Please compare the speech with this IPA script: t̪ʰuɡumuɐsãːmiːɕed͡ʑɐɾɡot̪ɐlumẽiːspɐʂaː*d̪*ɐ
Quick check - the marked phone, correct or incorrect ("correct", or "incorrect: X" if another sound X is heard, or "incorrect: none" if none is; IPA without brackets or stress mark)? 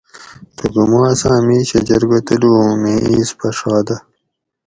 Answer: correct